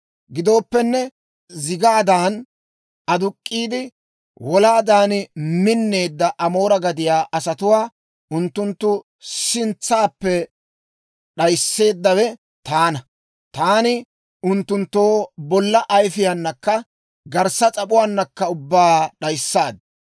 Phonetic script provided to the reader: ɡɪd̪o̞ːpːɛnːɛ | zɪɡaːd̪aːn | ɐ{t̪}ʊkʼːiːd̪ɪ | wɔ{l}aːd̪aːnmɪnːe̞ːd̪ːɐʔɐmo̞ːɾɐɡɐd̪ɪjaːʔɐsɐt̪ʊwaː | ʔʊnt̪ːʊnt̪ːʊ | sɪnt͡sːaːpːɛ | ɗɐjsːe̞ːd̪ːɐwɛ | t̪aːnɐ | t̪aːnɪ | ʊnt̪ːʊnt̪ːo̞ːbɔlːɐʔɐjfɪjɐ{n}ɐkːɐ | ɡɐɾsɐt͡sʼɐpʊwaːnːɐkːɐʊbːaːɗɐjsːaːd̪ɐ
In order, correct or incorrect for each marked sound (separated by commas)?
incorrect, correct, incorrect